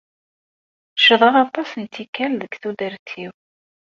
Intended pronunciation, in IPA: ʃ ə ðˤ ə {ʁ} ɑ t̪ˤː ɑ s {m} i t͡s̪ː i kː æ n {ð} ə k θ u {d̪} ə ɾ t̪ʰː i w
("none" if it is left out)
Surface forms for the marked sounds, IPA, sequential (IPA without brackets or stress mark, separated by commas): ʁ, n, ð, d̪